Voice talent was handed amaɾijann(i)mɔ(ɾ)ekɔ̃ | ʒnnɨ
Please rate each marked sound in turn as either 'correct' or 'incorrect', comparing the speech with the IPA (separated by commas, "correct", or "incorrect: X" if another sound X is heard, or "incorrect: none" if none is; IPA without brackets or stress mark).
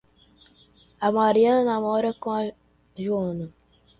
incorrect: a, correct